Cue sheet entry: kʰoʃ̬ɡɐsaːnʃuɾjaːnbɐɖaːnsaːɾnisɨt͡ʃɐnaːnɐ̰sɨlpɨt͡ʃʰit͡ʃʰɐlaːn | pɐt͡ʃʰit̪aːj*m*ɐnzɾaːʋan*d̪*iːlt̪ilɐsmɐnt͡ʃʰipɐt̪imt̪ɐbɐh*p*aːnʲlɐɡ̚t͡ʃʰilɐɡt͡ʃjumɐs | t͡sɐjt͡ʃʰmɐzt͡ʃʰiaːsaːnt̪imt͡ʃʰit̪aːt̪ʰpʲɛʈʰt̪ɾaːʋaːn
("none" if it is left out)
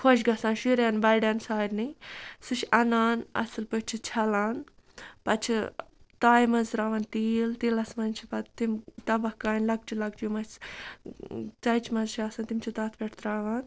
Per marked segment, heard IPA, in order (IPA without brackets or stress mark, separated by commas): m, t̪, k